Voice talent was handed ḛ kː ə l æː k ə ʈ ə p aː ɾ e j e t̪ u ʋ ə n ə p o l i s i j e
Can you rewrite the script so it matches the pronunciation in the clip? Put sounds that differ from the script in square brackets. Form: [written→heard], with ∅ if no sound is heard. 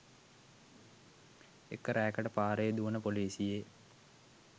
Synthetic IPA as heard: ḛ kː ə [l→ɾ] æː k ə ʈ ə p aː ɾ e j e [t̪→d̪] u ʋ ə n ə p o l [i→iː] s i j e